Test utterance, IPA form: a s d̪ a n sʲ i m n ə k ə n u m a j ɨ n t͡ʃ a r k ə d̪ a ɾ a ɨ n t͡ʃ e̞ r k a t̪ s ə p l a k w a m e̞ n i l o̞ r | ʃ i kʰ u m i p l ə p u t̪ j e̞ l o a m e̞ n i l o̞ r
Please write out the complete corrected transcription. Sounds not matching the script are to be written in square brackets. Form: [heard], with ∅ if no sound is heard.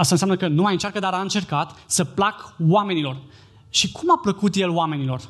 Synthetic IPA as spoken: a s [t̪] a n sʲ [a] m n ə k ə n u m a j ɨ n t͡ʃ a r k ə d̪ a ɾ a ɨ n t͡ʃ e̞ r k a t̪ s ə p l a k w a m e̞ n i l o̞ r | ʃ i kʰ u m [a] p l ə [k] u t̪ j e̞ l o a m e̞ n i l o̞ r